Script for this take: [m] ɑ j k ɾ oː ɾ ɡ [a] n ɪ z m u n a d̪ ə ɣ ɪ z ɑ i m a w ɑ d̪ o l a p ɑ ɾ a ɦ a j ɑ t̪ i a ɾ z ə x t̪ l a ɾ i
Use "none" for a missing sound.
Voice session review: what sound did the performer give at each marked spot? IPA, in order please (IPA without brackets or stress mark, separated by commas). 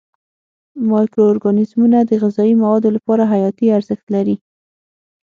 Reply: m, ɑ